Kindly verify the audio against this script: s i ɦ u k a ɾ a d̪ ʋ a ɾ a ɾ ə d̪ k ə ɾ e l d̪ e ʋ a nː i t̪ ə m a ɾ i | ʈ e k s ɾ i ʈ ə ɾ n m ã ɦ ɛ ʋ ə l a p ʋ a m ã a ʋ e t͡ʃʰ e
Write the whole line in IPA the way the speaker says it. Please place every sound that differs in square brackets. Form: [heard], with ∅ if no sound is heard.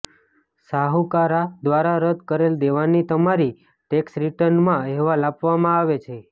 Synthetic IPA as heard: s [a] ɦ u k a ɾ a d̪ ʋ a ɾ a ɾ ə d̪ k ə ɾ e l d̪ e ʋ a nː i t̪ ə m a ɾ i | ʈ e k s ɾ i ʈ ə ɾ n m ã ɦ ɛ ʋ [a] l a p ʋ a m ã a ʋ e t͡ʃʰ e